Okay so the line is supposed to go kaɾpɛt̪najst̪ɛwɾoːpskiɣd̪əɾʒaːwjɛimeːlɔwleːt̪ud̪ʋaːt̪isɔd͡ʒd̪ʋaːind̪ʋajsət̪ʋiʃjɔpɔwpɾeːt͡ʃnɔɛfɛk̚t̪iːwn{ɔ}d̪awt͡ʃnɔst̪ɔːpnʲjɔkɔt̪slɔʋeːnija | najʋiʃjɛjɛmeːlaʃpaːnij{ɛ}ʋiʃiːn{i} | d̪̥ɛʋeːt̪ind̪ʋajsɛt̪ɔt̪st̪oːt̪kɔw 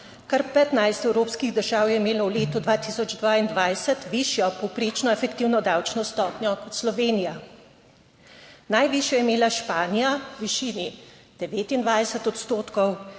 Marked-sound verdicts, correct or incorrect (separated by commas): correct, incorrect, correct